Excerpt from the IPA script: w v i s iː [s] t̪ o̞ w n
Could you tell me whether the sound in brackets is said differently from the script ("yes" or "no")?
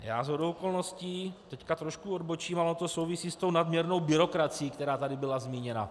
no